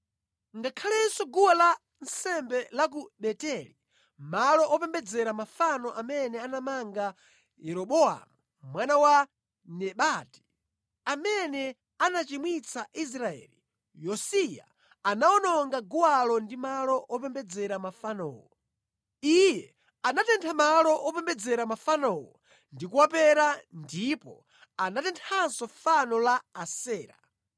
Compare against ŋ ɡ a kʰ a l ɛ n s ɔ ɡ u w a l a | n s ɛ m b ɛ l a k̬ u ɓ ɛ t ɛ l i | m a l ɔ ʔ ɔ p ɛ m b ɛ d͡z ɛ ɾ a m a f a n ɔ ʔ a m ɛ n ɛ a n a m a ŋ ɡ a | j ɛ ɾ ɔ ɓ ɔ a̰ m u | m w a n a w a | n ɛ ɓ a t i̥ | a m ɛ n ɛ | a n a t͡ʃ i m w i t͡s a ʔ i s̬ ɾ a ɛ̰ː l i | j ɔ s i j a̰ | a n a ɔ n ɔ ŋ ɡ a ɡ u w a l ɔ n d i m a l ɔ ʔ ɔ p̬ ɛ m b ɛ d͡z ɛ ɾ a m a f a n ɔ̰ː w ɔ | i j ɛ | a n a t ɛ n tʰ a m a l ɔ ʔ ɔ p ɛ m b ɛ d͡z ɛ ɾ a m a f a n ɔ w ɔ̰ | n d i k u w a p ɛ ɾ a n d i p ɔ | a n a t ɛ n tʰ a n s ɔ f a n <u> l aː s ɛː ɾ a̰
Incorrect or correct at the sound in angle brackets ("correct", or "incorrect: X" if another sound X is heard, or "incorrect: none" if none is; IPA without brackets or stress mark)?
incorrect: ɔ